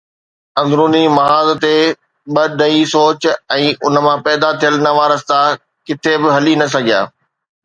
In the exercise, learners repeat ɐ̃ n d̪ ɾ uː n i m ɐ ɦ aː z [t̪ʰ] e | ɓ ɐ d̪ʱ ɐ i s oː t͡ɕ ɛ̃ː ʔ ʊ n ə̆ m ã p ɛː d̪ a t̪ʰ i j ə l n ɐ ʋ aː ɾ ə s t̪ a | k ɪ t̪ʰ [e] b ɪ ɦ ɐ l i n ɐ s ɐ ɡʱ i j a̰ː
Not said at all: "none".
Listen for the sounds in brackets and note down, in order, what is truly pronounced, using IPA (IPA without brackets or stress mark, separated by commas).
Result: t̪, e